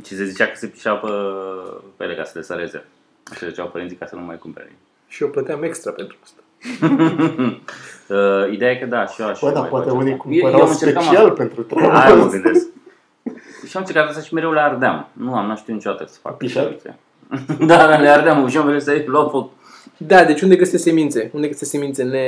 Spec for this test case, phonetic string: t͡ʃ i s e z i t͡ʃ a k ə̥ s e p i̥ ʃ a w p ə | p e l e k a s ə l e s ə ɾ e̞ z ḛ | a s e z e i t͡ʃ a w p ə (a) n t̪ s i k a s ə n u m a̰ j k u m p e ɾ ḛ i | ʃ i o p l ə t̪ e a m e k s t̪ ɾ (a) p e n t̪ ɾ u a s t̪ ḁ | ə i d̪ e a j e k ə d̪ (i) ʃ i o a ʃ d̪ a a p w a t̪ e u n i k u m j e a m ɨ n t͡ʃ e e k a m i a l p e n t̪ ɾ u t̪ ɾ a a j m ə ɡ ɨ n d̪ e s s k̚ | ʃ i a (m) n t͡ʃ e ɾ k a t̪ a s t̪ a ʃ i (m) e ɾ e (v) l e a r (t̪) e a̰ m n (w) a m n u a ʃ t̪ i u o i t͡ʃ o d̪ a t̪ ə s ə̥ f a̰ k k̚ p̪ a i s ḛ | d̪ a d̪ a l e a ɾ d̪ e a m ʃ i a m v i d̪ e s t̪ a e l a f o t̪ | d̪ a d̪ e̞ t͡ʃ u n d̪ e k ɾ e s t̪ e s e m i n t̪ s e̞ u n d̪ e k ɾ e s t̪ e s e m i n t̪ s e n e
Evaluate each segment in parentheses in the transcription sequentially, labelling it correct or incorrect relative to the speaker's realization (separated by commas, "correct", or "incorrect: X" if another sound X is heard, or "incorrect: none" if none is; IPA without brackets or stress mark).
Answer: incorrect: i, correct, incorrect: a, correct, correct, incorrect: w, incorrect: d̪, incorrect: u